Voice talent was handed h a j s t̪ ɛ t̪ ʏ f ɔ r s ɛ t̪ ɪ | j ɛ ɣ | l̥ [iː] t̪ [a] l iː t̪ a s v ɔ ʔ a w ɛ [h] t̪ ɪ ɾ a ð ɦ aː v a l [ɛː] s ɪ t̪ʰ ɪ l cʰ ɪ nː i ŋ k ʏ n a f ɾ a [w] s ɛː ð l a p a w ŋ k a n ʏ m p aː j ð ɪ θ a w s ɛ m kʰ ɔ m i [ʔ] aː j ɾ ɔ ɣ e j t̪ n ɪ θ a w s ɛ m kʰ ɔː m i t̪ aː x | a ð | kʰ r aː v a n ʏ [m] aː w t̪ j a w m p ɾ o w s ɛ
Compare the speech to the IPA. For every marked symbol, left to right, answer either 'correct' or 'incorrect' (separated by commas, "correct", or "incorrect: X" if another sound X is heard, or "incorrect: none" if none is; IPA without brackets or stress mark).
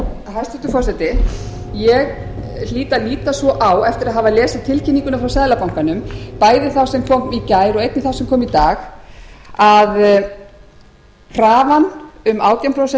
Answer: correct, correct, incorrect: f, correct, correct, incorrect: c, correct